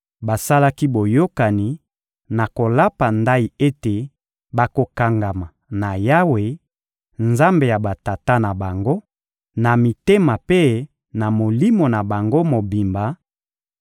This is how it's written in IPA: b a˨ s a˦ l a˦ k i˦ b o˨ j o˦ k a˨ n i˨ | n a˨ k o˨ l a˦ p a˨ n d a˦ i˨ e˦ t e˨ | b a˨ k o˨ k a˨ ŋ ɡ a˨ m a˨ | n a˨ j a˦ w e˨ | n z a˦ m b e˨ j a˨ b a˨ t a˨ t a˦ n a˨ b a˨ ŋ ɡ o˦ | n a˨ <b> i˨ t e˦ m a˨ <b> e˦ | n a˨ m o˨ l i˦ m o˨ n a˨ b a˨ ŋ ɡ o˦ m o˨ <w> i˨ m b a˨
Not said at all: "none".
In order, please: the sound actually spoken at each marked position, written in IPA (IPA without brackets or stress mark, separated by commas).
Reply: m, p, b